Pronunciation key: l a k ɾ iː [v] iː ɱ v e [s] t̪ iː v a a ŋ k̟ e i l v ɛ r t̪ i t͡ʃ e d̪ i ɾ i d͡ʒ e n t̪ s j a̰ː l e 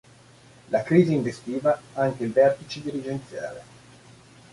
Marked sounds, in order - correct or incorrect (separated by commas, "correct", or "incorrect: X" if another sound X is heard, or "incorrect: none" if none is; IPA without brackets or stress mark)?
incorrect: z, correct